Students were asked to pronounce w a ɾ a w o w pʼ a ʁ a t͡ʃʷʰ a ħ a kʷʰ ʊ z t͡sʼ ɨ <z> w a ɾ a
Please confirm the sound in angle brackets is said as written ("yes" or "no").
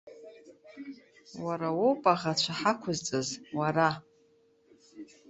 yes